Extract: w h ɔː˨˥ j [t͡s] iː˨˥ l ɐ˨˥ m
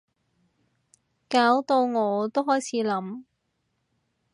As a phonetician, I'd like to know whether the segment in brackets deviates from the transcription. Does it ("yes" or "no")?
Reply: yes